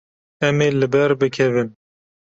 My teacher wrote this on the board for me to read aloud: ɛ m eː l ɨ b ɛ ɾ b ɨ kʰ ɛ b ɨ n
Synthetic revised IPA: ɛ m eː l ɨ b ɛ ɾ b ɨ kʰ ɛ v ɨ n